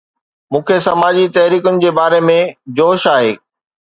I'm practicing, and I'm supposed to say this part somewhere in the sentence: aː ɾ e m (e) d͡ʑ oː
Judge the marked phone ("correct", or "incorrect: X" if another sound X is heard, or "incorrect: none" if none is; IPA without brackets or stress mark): incorrect: ẽ